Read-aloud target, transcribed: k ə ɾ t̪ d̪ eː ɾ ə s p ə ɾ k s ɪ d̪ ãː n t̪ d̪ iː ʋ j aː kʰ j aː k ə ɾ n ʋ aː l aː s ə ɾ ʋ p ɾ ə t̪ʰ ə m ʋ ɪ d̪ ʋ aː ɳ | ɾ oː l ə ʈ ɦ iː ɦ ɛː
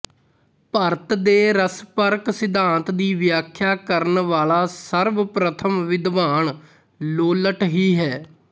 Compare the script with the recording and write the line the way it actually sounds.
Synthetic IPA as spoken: p ə ɾ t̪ d̪ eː ɾ ə s p ə ɾ k s ɪ d̪ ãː n t̪ d̪ iː ʋ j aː kʰ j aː k ə ɾ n ʋ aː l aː s ə ɾ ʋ p ɾ ə t̪ʰ ə m ʋ ɪ d̪ ʋ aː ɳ | l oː l ə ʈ ɦ iː ɦ ɛː

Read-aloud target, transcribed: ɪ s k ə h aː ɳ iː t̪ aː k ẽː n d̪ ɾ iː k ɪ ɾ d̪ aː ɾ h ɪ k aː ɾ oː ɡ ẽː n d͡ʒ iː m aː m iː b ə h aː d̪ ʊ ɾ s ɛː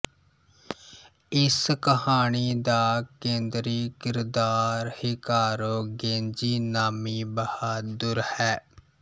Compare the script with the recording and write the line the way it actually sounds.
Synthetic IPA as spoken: ɪ s k ə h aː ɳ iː d̪ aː k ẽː n d̪ ɾ iː k ɪ ɾ d̪ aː ɾ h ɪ k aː ɾ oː ɡ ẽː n d͡ʒ iː n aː m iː b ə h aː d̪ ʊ ɾ h ɛː

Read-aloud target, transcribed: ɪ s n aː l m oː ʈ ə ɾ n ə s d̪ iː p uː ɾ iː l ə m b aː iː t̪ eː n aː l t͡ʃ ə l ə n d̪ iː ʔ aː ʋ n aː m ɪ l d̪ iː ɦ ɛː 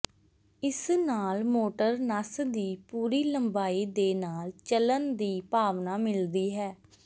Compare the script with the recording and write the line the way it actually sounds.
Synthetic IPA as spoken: ɪ s n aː l m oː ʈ ə ɾ n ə s d̪ iː p uː ɾ iː l ə m b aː iː d̪ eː n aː l t͡ʃ ə l ə n d̪ iː p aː ʋ n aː m ɪ l d̪ iː ɦ ɛː

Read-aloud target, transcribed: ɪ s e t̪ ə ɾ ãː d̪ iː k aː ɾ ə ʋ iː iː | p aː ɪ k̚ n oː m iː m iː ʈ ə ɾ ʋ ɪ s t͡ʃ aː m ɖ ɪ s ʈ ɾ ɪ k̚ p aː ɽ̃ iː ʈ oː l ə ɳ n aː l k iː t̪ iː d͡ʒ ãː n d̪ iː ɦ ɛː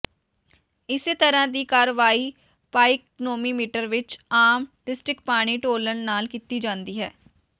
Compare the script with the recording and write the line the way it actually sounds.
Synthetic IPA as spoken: ɪ s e t̪ ə ɾ ãː d̪ iː k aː ɾ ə ʋ aː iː | p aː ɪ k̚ n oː m iː m iː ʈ ə ɾ ʋ ɪ t͡ʃ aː m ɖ ɪ s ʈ ɾ ɪ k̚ p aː ɽ̃ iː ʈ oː l ə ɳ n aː l k iː t̪ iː d͡ʒ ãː n d̪ iː ɦ ɛː

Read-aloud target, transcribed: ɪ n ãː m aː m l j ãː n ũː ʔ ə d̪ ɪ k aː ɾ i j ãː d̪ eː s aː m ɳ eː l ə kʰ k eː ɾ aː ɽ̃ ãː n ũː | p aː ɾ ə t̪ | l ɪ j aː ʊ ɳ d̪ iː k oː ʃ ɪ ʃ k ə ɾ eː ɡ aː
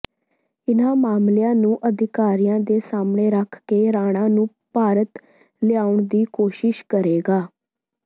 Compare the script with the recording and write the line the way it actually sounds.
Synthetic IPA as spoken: ɪ n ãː m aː m l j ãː n ũː ʔ ə d̪ ɪ k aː ɾ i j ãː d̪ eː s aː m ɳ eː ɾ ə kʰ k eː ɾ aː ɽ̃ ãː n ũː | p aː ɾ ə t̪ | l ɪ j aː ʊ ɳ d̪ iː k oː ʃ ɪ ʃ k ə ɾ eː ɡ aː

